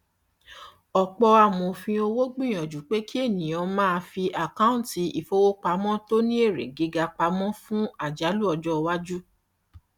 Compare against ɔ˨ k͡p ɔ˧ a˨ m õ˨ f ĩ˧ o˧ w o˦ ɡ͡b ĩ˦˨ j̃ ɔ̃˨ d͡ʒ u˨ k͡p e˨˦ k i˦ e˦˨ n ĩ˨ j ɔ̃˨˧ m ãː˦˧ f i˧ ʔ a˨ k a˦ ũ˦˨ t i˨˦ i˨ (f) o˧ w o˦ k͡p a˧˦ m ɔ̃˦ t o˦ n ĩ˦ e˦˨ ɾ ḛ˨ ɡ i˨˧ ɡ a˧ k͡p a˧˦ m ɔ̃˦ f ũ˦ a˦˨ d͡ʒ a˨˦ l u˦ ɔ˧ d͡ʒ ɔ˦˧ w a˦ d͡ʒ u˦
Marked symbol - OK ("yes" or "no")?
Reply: yes